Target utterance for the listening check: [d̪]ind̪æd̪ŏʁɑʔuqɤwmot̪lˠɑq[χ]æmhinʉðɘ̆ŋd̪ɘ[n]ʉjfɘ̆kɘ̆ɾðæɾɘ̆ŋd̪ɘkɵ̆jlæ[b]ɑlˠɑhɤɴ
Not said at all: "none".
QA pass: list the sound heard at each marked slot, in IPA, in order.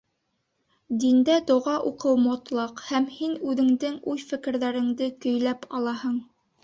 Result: d̪, h, ŋ, p

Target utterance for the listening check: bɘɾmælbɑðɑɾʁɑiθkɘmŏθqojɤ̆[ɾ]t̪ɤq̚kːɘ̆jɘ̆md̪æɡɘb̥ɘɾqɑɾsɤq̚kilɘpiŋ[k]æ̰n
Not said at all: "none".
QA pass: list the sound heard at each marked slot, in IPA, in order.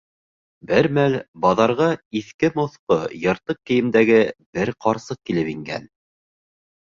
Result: ɾ, ɡ

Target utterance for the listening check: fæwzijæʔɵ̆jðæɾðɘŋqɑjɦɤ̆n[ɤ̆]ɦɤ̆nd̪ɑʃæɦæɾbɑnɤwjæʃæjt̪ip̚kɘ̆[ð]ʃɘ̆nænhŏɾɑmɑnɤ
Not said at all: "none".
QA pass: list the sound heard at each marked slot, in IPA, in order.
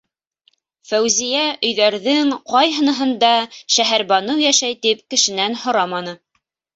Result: ɤ̆, none

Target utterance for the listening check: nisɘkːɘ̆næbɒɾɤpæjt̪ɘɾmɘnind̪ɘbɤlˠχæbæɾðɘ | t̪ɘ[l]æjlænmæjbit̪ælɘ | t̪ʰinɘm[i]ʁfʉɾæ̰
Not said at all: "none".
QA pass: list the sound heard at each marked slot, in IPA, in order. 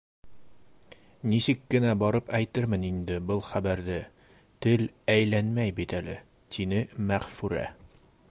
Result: l, æ

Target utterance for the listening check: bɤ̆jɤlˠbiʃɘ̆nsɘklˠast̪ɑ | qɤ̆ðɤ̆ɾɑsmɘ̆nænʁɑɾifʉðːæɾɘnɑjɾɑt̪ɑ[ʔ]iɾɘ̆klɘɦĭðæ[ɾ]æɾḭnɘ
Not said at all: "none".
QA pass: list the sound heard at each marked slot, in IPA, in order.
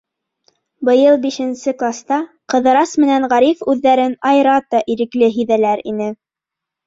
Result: ʔ, l

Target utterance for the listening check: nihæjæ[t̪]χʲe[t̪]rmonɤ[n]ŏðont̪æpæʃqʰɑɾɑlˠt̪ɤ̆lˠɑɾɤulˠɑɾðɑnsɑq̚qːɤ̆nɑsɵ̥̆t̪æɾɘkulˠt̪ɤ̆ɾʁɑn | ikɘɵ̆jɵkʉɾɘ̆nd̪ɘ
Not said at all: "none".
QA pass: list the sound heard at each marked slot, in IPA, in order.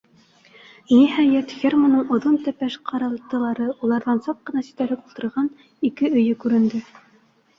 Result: t̪, none, ɴ

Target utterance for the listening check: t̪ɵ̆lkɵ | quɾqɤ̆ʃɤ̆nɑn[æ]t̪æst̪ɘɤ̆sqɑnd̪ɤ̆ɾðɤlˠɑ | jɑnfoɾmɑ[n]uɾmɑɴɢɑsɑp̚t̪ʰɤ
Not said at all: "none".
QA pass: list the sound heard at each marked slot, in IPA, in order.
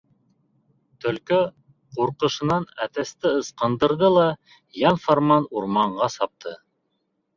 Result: æ, n

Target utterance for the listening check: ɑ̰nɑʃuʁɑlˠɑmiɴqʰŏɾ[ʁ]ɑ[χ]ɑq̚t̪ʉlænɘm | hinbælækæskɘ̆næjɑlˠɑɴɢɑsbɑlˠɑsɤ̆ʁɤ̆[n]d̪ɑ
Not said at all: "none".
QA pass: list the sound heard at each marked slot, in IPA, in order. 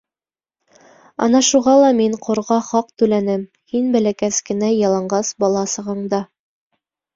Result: ʁ, χ, ɴ

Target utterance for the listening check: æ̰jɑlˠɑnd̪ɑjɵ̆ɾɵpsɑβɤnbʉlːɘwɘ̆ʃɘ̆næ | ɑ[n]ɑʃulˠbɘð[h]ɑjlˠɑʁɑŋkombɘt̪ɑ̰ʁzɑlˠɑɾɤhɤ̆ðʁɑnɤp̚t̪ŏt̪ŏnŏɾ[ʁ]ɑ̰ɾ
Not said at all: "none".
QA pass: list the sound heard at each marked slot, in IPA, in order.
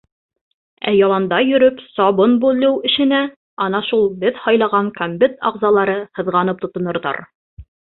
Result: n, h, ð

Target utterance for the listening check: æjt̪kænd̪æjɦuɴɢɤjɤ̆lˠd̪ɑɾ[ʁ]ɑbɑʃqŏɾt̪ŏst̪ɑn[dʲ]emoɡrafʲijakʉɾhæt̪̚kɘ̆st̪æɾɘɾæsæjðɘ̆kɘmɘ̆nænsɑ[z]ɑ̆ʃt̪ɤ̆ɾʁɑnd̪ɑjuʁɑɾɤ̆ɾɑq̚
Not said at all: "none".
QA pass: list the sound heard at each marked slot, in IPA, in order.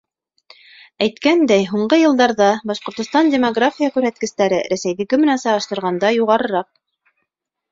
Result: ð, dʲ, ʁ

